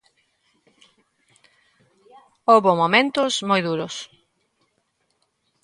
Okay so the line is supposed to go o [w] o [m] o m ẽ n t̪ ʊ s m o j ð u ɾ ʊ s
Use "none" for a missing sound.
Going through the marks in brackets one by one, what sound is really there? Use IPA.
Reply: β, m

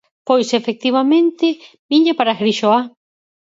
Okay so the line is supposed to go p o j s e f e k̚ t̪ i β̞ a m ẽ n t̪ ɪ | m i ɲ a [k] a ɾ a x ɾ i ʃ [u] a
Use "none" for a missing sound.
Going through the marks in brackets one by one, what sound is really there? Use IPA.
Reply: p, o

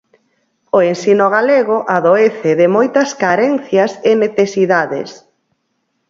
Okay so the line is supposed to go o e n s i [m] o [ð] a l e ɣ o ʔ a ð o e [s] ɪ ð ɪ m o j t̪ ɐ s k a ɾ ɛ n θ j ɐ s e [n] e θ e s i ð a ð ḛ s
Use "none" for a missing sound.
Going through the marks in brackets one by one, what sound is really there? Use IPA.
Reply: n, ɣ, θ, n

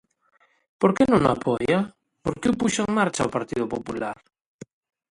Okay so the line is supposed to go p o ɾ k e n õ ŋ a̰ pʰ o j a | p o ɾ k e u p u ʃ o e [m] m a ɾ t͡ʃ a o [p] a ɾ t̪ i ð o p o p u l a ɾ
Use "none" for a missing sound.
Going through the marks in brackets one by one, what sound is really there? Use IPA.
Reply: ŋ, p

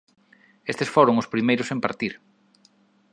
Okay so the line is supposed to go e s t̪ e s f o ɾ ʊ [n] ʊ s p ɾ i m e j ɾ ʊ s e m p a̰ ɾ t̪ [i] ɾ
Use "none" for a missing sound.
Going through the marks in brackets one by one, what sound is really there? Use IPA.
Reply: ŋ, i

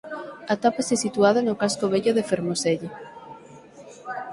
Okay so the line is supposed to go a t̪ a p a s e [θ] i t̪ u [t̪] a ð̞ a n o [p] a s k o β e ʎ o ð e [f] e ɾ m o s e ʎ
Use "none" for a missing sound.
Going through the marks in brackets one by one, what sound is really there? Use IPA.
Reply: s, none, k, f

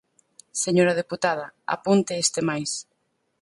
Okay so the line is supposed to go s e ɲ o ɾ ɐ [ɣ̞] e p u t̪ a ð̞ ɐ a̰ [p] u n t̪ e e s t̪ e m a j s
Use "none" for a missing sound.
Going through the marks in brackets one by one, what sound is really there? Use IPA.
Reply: ð̞, p

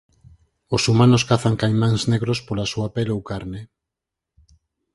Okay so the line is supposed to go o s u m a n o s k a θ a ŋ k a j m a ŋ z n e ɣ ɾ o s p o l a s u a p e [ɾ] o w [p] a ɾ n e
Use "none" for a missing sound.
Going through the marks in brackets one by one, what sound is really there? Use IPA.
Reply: l, k

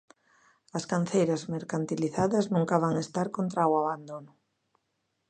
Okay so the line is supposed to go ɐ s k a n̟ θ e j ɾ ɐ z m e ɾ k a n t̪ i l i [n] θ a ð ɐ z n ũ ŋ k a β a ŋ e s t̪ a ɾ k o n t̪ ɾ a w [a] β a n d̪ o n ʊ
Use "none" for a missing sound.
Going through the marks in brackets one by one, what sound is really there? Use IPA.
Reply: none, a

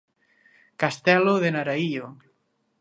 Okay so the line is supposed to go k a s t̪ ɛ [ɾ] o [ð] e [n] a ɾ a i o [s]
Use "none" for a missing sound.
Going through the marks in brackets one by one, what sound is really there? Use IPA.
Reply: l, ð, n, none

